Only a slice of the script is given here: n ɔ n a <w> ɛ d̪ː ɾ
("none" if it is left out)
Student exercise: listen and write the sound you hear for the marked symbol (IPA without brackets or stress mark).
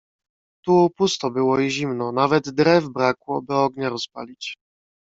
v